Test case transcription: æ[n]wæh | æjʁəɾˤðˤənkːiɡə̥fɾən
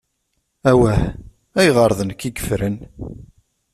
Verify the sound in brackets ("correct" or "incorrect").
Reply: incorrect